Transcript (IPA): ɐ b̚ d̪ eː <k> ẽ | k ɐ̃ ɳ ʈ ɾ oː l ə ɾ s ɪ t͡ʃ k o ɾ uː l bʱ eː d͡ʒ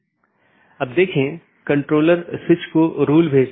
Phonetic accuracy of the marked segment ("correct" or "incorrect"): incorrect